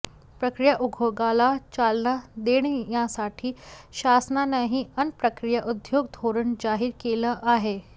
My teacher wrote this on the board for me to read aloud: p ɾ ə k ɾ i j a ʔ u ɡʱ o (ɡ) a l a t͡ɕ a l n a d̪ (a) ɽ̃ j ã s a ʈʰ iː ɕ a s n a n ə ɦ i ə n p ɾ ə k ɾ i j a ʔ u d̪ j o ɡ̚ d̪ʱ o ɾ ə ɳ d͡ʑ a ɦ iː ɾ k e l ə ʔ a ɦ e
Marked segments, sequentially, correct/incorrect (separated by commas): correct, incorrect